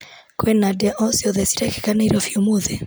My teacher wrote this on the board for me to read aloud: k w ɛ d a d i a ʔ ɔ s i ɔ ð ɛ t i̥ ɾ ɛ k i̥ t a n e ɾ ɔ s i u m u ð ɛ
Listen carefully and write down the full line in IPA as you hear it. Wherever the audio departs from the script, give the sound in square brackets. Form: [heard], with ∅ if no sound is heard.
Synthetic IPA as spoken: k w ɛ [n] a d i a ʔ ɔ s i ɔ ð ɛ [s] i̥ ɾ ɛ k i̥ [k] a n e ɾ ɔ [f] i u m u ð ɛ